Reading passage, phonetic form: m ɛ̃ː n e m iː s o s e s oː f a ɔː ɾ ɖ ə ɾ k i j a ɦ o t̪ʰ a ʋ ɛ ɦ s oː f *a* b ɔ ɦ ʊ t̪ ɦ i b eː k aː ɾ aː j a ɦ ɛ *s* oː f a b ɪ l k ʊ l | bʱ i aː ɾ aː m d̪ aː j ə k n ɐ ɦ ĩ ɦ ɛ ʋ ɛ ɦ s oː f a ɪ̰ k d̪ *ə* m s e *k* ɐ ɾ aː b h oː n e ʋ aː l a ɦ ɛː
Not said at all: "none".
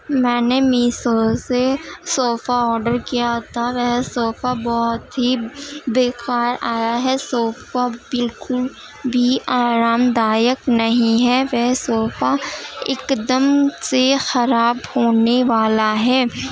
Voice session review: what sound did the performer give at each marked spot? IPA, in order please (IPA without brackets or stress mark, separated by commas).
a, s, ə, x